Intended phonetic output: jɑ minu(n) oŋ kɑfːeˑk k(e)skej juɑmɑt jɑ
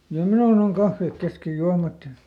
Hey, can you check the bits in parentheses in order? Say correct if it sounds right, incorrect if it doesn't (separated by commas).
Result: correct, correct